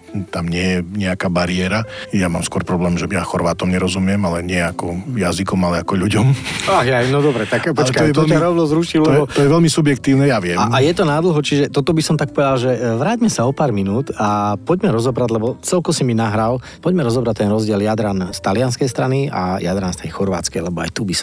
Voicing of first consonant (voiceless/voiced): voiceless